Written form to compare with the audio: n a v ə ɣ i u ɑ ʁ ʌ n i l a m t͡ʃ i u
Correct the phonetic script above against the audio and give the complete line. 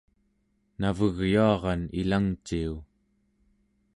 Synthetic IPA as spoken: n a v ə ɣ j u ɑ ʁ ɑ n i l a ŋ t͡ʃ i u